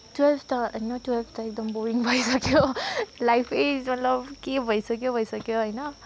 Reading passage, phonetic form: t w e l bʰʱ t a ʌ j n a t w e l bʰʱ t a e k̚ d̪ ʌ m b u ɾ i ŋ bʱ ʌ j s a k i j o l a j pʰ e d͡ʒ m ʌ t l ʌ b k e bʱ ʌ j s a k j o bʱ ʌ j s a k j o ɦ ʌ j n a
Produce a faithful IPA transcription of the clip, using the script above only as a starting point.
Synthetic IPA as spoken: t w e l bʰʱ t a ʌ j n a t w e l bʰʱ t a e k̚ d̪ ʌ m b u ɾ i ŋ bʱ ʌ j s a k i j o l a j pʰ e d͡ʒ m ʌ t l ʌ b k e bʱ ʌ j s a k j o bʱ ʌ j s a k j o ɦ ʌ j n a